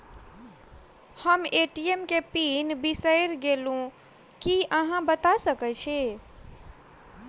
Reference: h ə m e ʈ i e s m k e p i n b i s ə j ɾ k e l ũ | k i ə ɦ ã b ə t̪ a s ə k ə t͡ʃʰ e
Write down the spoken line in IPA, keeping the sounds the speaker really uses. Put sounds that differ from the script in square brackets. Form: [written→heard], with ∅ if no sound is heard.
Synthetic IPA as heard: h ə m e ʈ i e [s→∅] m k e p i n b i s ə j ɾ [k→ɡ] e l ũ | k i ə ɦ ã b ə t̪ a s ə k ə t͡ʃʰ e